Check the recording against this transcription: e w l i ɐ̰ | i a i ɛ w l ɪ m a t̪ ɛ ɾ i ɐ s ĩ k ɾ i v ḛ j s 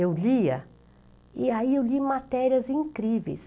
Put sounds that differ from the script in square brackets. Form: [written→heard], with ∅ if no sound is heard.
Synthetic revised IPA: e w l i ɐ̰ | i a i [ɛ→e] w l [ɪ→i] m a t̪ ɛ ɾ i ɐ [s→z] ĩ k ɾ i v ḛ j s